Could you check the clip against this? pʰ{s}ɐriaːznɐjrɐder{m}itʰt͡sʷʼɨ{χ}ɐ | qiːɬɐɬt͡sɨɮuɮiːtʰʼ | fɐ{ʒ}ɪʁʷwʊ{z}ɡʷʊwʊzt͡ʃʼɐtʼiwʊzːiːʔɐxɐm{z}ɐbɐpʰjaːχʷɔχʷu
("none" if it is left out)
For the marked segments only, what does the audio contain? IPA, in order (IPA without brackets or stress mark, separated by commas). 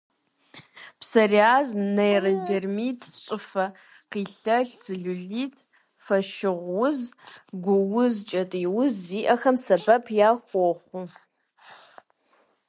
s, m, f, ʃ, z, s